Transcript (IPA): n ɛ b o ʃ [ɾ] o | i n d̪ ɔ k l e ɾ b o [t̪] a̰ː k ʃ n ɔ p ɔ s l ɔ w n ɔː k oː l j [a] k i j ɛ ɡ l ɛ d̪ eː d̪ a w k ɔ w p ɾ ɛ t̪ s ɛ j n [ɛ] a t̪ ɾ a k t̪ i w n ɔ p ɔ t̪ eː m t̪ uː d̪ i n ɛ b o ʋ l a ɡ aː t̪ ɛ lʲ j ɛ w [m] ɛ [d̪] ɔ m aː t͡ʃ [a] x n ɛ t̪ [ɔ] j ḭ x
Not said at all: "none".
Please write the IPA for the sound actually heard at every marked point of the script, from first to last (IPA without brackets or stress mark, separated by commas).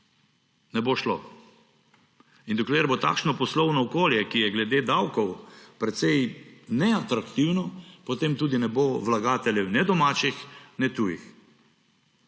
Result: l, t̪, ɛ, ɛ, n, d̪, i, u